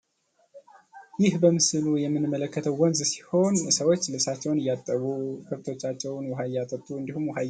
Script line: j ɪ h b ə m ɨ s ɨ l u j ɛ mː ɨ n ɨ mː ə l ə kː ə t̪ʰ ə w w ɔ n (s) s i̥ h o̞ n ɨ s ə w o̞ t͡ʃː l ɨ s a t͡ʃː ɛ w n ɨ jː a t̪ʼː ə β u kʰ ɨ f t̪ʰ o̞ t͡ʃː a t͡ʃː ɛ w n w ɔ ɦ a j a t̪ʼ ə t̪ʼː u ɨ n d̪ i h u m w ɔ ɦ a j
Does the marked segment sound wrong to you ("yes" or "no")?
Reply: yes